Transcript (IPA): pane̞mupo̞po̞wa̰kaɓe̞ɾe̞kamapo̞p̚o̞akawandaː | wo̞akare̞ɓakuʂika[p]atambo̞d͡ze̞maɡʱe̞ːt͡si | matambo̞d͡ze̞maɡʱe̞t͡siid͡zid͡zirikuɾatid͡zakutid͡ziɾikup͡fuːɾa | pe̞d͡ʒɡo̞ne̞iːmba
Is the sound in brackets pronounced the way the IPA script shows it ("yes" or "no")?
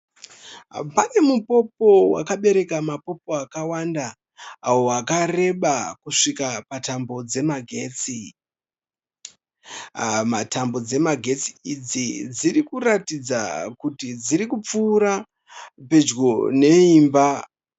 yes